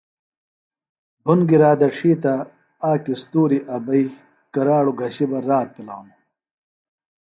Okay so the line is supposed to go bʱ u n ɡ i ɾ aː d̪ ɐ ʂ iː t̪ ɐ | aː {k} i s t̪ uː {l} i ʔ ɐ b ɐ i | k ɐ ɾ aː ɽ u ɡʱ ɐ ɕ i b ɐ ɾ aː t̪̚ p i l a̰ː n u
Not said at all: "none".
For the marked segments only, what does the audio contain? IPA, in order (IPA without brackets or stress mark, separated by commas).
k, ɾ